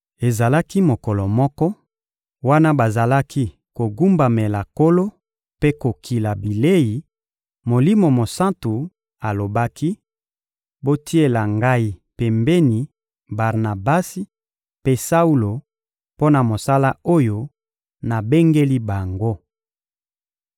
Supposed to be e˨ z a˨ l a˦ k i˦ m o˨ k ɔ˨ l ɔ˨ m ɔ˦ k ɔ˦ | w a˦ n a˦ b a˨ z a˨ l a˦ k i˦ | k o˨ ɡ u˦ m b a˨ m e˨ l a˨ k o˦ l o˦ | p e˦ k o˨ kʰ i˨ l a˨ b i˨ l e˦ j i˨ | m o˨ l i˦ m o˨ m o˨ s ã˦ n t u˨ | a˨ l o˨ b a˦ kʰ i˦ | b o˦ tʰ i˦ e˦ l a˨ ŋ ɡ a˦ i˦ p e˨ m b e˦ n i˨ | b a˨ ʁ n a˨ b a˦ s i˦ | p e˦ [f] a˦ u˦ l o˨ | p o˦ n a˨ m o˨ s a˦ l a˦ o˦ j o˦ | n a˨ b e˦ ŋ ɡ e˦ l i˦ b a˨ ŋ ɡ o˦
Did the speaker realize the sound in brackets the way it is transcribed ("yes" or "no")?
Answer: no